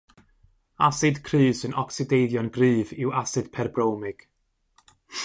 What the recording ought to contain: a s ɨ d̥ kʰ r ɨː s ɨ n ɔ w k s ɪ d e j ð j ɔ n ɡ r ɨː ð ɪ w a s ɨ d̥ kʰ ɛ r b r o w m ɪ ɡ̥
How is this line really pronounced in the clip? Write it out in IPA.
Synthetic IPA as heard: a s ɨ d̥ kʰ r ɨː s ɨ n ɔ k s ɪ d e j ð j ɔ n ɡ r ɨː v ɪ w a s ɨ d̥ pʰ ɛ r b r o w m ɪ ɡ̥